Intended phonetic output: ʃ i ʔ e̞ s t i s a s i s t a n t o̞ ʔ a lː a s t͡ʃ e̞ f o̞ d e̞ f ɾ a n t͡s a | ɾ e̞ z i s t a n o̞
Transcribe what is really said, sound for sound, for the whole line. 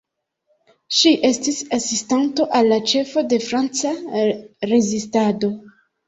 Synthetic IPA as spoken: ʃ i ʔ e̞ s t i s a s i s t a n t o̞ ʔ a lː a t͡ʃ e̞ f o̞ d e̞ f ɾ a n t͡s a | ɾ e̞ z i s t a d o̞

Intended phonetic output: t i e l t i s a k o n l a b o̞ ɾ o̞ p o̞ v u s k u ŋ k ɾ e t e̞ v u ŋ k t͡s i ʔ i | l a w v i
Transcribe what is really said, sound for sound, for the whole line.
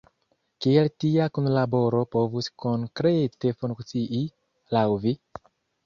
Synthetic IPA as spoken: k i e l t i a k u n l a b o̞ ɾ o̞ p o̞ v u s k o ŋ k ɾ e t e̞ f u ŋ k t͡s i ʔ i | l a w v i

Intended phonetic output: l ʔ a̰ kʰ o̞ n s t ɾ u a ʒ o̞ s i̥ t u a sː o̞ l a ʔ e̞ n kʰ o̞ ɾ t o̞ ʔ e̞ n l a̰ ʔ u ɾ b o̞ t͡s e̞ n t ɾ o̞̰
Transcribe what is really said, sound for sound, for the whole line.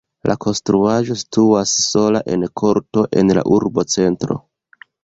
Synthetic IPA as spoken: l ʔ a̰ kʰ o̞ n s t ɾ u a ʒ o̞ s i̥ t u a sː o̞ l a ʔ e̞ n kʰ o̞ ɾ t o̞ ʔ e̞ n l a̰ ʔ u ɾ b o̞ t͡s e̞ n t ɾ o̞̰

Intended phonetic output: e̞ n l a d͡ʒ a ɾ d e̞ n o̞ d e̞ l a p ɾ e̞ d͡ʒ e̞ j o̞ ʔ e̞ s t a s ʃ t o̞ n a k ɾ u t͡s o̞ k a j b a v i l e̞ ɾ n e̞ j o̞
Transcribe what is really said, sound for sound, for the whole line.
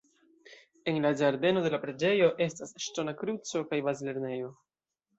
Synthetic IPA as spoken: e̞ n l a d͡ʒ a ɾ d e̞ n o̞ d e̞ l a p ɾ e̞ d͡ʒ e̞ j o̞ ʔ e̞ s t a s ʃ t o̞ n a k ɾ u t͡s o̞ k a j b a z i l e̞ ɾ n e̞ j o̞

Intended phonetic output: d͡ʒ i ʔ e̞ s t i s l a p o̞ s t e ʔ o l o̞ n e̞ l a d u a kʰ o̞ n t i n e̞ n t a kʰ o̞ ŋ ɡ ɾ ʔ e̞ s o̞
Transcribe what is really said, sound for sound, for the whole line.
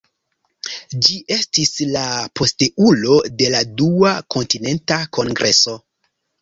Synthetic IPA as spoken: d͡ʒ i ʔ e̞ s t i s l a p o̞ s t e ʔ u l o̞ d e̞ l a d u a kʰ o̞ n t i n e̞ n t a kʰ o̞ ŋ ɡ ɾ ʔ e̞ s o̞

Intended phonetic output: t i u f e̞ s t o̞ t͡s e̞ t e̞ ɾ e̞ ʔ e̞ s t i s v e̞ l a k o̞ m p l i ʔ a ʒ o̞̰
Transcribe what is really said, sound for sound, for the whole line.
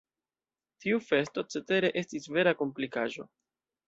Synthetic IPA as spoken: t i u f e̞ s t o̞ t͡s e̞ t e̞ ɾ e̞ ʔ e̞ s t i s v e̞ ɾ a k o̞ m p l i k a ʒ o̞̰

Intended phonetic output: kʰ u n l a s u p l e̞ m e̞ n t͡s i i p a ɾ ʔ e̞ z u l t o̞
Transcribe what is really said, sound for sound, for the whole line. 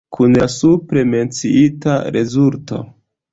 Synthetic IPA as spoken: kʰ u n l a s u p ɾ e̞ m e̞ n t͡s i i t a ɾ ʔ e̞ z u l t o̞

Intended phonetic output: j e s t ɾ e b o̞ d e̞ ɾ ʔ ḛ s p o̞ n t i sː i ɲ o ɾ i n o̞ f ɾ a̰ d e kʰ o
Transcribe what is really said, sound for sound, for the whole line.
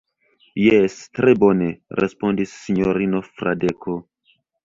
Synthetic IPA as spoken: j e s t ɾ e b o̞ n e̞ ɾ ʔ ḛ s p o̞ n d i sː i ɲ o ɾ i n o̞ f ɾ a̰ d e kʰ o

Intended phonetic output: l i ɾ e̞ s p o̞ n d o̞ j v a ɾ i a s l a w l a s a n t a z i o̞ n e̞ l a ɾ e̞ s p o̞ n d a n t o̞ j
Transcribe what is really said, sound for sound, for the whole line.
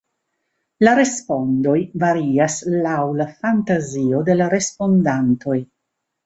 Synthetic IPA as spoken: l a ɾ e̞ s p o̞ n d o̞ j v a ɾ i a s l a w l a f a n t a z i o̞ d e̞ l a ɾ e̞ s p o̞ n d a n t o̞ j

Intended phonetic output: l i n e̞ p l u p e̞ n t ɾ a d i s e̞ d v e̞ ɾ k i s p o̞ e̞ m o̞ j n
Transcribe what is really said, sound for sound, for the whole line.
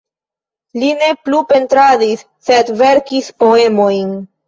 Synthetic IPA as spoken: l i n e̞ p l u p e̞ n t ɾ a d i sː e̞ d v e̞ ɾ k i s p o̞ e̞ m o̞ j n

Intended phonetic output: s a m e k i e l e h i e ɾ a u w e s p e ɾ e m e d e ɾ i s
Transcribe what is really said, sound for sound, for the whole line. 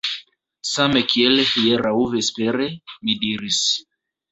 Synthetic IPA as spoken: s a m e k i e l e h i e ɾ a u v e s p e ɾ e m i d i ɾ i s

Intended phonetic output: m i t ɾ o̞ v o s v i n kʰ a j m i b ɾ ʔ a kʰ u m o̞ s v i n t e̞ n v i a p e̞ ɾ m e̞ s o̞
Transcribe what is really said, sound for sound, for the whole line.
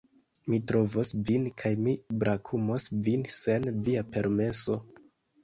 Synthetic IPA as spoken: m i t ɾ o̞ v o s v i n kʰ a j m i b ɾ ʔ a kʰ u m o̞ s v i n s e̞ n v i a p e̞ ɾ m e̞ s o̞

